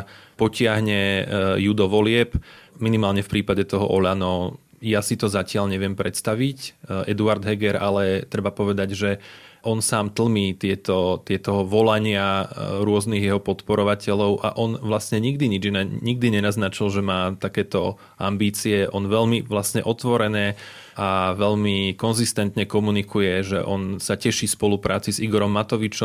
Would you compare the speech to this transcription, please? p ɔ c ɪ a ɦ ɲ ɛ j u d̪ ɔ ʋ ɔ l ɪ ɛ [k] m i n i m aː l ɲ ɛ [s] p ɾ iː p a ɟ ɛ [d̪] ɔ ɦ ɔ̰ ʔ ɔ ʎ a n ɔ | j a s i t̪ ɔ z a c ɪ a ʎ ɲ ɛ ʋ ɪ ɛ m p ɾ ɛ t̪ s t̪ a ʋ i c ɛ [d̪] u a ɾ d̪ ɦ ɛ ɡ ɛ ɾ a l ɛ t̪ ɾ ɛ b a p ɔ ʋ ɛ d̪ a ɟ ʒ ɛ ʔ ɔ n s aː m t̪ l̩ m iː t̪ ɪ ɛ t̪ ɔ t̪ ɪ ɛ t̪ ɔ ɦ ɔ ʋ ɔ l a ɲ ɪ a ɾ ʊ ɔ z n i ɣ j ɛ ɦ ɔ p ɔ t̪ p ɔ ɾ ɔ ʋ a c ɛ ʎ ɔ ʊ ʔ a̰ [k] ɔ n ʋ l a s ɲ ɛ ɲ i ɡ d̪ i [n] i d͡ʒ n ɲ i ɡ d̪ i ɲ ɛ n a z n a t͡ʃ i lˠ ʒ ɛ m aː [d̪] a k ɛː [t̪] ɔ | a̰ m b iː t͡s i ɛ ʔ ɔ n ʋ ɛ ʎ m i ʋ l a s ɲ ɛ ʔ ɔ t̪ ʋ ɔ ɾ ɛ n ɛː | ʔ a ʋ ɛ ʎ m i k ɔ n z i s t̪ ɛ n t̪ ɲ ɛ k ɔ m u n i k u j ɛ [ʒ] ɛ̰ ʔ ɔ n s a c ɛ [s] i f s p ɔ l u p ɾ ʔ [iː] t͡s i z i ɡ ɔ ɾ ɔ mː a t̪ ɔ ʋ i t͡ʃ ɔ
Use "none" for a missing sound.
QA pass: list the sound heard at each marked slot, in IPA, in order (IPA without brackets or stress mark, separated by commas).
p, f, t̪, d̪, ʔ, ɲ, t̪, t̪, ʒ, ʃ, aː